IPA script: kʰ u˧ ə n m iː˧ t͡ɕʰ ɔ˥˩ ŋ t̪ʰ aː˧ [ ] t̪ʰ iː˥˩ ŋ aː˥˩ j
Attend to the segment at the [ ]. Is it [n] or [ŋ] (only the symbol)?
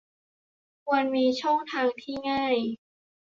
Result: ŋ